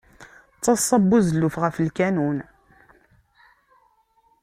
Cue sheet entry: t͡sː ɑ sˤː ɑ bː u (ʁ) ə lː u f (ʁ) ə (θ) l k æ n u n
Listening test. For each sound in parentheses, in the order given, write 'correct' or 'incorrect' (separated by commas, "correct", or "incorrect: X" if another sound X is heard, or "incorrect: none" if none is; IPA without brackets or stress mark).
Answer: incorrect: z, correct, incorrect: f